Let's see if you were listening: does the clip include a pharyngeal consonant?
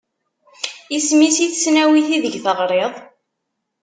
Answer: no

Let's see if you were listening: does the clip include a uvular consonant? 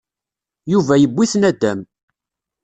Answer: no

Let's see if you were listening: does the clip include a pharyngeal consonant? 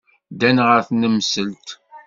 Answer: no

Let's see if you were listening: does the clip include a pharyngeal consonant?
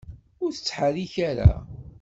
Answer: yes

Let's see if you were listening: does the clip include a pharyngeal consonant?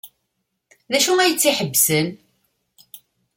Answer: yes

